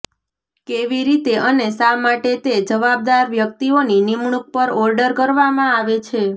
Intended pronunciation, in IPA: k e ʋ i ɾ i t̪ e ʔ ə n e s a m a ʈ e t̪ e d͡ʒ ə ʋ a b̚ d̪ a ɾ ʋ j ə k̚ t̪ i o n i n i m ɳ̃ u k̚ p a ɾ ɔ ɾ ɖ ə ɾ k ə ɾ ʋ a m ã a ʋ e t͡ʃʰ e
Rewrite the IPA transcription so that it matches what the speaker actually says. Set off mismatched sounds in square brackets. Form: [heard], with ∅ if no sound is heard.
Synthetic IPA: k e ʋ i ɾ i t̪ e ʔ ə n e s a m a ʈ e t̪ e d͡ʒ ə ʋ a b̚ d̪ a ɾ ʋ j ə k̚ t̪ i o n i n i m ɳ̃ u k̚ p [ə] ɾ ɔ ɾ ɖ ə ɾ k ə ɾ ʋ a m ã a ʋ e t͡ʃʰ e